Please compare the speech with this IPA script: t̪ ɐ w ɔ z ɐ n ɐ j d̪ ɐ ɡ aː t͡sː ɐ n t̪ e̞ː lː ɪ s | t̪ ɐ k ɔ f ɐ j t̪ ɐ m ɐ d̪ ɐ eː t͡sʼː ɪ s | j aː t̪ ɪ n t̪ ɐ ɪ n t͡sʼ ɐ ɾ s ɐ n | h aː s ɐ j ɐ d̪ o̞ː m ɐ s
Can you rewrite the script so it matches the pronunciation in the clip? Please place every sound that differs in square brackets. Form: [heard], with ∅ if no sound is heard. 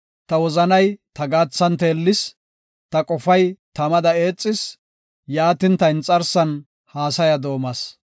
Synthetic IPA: t̪ ɐ w ɔ z ɐ n ɐ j [t̪] ɐ ɡ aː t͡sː ɐ n t̪ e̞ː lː ɪ s | t̪ ɐ [kʼ] ɔ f ɐ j t̪ ɐ m ɐ d̪ ɐ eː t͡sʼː ɪ s | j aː t̪ ɪ n t̪ ɐ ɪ n t͡sʼ ɐ ɾ s ɐ n | h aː s ɐ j ɐ d̪ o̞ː m ɐ s